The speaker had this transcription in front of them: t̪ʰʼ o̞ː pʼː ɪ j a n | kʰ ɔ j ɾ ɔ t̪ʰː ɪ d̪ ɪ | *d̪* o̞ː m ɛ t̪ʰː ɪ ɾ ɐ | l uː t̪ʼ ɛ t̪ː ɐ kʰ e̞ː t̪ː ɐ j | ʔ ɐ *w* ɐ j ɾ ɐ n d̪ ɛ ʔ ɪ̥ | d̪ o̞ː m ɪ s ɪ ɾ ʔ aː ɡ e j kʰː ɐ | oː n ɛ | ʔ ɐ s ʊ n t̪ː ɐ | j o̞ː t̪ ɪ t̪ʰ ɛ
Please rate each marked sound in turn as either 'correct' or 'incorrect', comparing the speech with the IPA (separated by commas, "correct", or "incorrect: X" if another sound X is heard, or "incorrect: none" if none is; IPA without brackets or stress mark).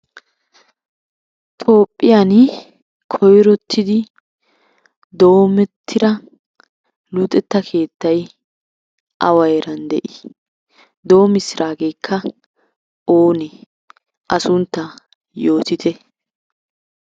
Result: correct, correct